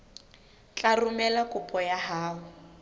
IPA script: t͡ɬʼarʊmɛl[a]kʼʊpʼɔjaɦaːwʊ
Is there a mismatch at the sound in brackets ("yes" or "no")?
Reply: no